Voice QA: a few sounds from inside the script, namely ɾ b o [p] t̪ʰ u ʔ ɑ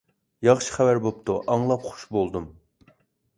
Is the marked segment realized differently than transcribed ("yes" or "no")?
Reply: no